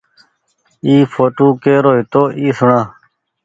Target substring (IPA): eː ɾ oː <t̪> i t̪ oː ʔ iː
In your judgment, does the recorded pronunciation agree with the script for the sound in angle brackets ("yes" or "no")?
no